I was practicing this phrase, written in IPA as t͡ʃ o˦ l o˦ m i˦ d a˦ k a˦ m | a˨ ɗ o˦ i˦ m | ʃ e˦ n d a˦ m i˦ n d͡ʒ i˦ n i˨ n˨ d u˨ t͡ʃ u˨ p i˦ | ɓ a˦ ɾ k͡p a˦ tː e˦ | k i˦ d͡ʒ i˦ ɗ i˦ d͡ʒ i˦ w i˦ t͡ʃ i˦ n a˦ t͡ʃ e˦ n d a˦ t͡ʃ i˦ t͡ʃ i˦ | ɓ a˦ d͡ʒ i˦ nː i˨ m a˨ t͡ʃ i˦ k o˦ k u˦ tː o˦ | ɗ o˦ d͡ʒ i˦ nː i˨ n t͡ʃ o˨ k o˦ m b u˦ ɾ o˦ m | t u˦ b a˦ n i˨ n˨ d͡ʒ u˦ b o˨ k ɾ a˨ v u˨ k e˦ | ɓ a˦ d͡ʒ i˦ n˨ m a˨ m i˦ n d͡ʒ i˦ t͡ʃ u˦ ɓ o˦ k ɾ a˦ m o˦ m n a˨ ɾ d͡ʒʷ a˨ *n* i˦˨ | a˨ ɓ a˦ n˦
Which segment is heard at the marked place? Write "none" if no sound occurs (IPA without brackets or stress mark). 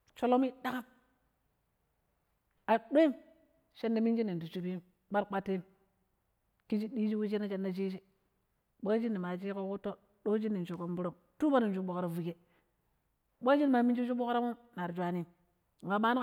n